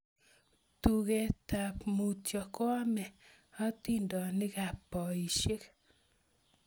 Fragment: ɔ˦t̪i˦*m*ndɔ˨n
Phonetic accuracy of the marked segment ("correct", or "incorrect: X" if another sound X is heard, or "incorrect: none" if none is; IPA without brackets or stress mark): incorrect: none